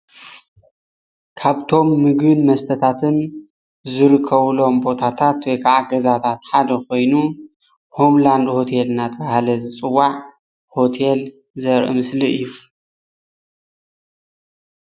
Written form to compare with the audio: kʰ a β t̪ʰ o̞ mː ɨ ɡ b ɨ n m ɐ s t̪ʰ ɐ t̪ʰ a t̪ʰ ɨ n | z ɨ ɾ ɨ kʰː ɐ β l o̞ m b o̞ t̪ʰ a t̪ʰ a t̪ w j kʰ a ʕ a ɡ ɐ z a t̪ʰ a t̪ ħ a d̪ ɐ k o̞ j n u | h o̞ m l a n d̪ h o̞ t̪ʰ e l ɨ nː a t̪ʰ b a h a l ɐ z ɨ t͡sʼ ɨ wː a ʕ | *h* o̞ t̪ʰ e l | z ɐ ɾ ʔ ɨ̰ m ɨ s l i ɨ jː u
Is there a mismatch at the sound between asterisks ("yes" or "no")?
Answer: no